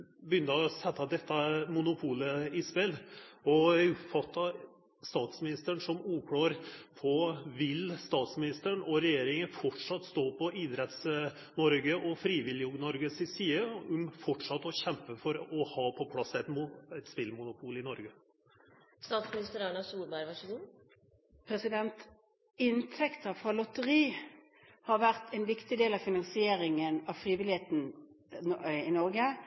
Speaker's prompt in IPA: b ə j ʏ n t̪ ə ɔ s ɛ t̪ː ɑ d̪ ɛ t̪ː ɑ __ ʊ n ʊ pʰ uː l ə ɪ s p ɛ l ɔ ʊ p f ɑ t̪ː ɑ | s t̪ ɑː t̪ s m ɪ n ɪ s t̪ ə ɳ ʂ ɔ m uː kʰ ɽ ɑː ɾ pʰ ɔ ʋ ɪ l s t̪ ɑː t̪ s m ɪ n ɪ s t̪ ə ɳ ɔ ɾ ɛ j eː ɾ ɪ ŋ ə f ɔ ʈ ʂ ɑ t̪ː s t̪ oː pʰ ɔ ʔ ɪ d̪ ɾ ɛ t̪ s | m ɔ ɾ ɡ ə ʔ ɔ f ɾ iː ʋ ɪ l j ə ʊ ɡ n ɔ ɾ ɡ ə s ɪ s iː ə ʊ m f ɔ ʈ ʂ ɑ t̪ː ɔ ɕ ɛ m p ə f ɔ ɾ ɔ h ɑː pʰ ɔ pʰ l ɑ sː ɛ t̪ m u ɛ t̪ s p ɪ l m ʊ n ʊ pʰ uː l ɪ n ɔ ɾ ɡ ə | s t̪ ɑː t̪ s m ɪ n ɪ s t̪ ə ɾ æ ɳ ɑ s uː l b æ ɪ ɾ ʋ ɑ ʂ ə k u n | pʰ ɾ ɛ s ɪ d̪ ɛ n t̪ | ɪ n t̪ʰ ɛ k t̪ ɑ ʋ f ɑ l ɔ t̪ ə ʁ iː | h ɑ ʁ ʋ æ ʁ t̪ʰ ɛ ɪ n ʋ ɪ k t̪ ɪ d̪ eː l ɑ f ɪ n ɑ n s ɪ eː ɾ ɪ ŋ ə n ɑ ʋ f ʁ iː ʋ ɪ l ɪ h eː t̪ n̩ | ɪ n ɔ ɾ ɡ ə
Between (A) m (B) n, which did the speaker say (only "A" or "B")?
A